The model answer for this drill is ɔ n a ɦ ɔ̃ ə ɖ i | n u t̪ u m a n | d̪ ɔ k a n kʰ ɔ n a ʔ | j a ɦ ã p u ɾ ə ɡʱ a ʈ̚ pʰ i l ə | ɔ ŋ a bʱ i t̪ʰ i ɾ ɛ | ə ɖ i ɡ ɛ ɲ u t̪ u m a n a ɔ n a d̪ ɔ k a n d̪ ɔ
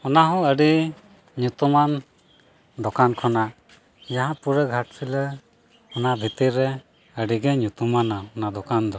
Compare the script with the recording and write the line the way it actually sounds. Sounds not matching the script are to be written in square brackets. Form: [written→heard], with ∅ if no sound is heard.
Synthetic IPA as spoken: ɔ n a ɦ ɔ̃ ə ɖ i | [n→ɲ] u t̪ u m a n | d̪ ɔ k a n kʰ ɔ n a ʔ | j a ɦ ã p u ɾ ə ɡʱ a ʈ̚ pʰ i l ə | ɔ [ŋ→n] a bʱ i [t̪ʰ→t̪] i ɾ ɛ | ə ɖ i ɡ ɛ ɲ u t̪ u m a n a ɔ n a d̪ ɔ k a n d̪ ɔ